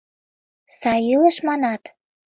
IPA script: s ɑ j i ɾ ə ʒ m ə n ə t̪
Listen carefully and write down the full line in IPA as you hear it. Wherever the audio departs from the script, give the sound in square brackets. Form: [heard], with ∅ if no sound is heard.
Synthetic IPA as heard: s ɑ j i [l] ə [ʃ] m [ɑ] n [ɑ] t̪